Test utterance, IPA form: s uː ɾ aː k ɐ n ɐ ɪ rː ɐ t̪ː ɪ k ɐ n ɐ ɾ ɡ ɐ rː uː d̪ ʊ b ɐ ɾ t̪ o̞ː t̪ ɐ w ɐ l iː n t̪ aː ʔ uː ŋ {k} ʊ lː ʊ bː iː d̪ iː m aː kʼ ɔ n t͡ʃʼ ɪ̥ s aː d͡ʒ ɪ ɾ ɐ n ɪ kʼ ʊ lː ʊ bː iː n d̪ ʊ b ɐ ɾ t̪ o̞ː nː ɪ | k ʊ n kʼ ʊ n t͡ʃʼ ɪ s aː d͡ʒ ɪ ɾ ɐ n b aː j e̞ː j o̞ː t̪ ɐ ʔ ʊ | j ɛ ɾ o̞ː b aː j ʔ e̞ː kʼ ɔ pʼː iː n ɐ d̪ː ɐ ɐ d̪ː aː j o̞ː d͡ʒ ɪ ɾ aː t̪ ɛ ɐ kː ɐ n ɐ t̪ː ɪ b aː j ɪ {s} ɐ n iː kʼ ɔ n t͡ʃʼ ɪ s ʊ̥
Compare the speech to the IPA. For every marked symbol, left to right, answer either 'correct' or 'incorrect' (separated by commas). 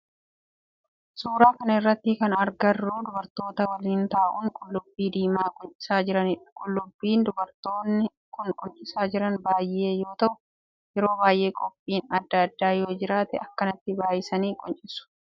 incorrect, correct